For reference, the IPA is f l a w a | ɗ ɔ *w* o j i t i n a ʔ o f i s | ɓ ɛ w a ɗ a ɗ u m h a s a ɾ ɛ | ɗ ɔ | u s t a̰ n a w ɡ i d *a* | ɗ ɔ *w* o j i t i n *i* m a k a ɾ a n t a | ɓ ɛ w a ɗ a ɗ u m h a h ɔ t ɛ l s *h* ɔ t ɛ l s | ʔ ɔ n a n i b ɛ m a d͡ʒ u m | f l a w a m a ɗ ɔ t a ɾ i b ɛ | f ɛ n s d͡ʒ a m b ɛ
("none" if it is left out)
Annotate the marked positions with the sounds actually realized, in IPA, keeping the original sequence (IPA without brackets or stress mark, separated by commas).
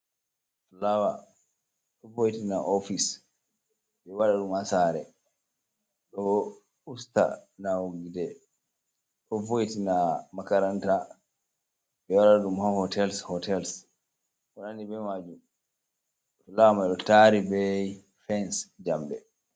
v, ɛ, v, a, h